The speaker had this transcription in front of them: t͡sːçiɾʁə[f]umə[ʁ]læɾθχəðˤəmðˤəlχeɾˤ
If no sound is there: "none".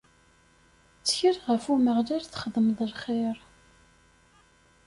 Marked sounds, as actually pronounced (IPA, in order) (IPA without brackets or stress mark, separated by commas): f, ʁ